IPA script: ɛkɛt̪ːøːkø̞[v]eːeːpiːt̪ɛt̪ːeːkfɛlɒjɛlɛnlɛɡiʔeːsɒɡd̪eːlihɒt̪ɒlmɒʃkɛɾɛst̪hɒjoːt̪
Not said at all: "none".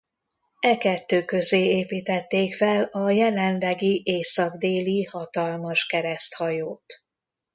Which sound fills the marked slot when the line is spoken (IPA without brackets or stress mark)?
z